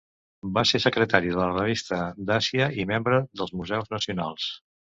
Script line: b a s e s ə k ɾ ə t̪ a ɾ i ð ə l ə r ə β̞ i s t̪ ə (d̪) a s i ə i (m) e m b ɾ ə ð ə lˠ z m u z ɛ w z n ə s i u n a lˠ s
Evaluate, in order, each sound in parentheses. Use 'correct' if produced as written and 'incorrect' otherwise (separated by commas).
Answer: correct, correct